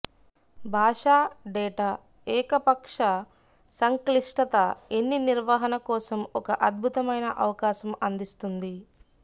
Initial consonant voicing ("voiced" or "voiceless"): voiced